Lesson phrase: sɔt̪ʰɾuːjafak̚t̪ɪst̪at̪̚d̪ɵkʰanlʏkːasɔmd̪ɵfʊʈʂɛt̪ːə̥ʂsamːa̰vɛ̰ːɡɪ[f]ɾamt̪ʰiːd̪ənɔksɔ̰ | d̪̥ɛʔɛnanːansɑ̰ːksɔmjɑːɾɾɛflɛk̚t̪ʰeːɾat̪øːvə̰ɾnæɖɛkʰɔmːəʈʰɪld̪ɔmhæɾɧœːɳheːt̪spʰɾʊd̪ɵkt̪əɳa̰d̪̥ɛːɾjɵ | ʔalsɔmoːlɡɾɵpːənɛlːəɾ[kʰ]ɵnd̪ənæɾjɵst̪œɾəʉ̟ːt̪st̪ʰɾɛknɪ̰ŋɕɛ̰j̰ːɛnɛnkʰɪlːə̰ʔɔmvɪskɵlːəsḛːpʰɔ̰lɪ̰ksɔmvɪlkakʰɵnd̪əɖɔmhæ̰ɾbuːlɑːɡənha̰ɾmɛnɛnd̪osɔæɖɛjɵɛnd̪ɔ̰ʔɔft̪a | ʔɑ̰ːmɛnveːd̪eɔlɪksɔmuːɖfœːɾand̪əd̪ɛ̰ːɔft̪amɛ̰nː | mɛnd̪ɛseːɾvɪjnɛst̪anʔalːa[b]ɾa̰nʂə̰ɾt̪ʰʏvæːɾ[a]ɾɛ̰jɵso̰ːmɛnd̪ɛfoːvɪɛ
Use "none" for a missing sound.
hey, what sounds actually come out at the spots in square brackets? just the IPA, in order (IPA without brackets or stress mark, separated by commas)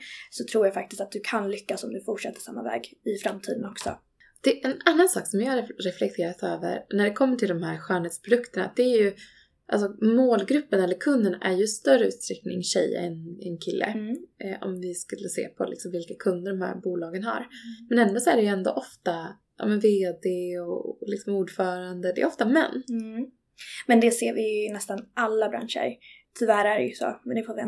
f, kʰ, b, æ